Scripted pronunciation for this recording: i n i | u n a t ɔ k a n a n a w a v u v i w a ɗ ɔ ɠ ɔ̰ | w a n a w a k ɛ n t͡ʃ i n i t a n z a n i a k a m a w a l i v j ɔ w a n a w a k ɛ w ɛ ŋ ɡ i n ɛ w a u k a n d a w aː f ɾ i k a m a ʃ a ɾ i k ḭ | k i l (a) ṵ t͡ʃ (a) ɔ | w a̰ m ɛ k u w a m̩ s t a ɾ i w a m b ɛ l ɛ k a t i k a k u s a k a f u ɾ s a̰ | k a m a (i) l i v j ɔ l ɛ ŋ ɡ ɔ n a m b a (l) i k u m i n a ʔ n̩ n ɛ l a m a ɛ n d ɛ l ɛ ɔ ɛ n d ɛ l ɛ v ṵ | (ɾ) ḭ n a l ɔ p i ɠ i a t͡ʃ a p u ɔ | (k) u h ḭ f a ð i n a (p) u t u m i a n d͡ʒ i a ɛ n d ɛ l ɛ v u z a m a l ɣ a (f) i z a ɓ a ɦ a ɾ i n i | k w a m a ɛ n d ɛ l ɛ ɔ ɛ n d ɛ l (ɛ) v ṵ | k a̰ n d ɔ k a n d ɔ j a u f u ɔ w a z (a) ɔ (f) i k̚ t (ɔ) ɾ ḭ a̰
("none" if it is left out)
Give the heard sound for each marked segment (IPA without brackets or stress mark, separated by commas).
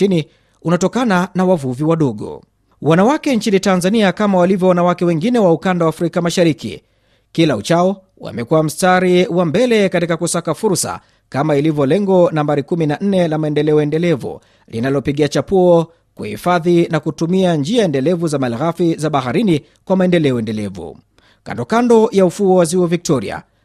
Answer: a, a, i, ɾ, l, k, k, f, ɛ, i, v, ɔ